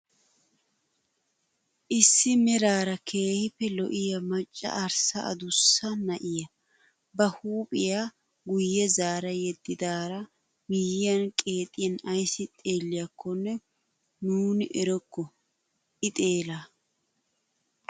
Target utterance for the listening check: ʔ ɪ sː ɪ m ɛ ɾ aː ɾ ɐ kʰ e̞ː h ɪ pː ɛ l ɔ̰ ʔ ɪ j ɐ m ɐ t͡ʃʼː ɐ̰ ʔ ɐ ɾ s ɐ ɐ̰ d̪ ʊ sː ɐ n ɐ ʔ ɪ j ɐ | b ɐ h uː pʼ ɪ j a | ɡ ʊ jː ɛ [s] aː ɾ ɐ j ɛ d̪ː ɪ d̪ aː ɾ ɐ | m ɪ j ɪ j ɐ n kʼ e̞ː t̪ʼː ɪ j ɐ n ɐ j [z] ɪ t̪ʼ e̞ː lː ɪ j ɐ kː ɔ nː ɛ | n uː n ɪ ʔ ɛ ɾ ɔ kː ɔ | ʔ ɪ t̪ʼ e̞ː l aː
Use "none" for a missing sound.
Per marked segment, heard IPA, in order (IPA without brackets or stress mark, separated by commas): z, s